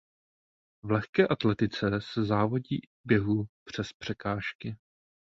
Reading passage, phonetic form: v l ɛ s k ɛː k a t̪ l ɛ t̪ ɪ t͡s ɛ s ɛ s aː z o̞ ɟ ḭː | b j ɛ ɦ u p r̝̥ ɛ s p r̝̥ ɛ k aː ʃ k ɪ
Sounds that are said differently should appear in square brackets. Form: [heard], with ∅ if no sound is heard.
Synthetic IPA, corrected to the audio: v l ɛ [x] k ɛː [ʔ] a t̪ l ɛ t̪ ɪ t͡s ɛ s ɛ [z] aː [v] o̞ ɟ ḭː | b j ɛ ɦ u p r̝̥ ɛ s p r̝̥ ɛ k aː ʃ k ɪ